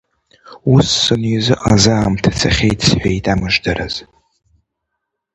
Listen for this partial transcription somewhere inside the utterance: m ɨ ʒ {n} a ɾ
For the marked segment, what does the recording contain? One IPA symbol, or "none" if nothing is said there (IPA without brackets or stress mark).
d